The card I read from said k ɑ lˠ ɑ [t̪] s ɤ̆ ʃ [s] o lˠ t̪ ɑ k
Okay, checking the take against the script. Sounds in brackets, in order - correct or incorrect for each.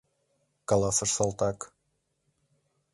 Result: incorrect, correct

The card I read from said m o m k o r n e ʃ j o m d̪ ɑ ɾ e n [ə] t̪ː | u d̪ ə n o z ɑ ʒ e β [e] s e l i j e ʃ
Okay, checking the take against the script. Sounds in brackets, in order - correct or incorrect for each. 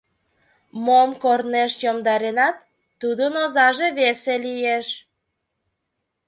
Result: incorrect, correct

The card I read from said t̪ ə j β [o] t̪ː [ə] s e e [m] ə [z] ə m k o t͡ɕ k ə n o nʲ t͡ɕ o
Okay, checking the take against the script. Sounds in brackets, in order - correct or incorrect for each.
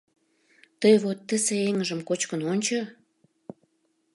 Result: correct, correct, incorrect, incorrect

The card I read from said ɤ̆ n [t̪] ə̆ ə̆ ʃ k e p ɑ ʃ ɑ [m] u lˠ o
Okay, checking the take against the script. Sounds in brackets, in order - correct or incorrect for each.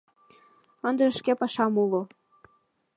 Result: incorrect, correct

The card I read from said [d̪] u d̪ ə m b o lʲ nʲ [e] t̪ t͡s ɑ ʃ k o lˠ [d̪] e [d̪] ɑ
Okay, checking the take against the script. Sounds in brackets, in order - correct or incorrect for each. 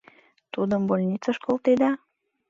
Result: incorrect, incorrect, incorrect, correct

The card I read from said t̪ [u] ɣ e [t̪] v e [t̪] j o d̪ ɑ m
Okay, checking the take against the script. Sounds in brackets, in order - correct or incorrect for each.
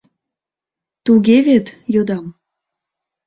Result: correct, incorrect, correct

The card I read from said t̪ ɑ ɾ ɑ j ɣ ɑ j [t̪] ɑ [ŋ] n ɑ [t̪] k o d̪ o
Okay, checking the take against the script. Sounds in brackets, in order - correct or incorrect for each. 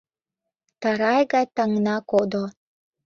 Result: correct, correct, incorrect

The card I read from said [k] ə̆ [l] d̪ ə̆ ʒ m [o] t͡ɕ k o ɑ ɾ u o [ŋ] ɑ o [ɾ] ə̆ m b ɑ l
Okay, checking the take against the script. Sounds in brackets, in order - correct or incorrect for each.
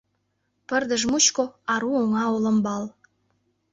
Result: incorrect, incorrect, incorrect, correct, incorrect

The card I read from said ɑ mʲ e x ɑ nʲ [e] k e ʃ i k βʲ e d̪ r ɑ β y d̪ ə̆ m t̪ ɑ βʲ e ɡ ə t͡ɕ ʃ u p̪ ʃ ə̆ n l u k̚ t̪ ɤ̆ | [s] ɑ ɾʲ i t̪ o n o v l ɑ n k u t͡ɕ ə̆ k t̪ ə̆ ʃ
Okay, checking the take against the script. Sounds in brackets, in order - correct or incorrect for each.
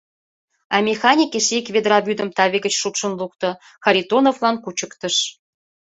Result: incorrect, incorrect

